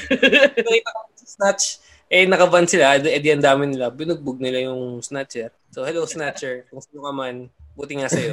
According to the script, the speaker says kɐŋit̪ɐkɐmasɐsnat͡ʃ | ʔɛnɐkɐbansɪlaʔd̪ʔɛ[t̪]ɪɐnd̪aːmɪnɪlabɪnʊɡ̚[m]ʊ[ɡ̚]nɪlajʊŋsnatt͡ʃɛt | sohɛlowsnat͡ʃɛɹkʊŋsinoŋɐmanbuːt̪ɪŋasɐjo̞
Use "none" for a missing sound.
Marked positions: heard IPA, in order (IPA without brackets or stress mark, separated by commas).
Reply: d̪, b, ɡ̚